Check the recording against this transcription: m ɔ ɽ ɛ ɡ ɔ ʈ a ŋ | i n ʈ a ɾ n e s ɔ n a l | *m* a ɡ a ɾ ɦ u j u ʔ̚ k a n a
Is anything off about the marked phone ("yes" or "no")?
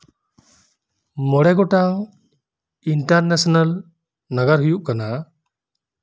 yes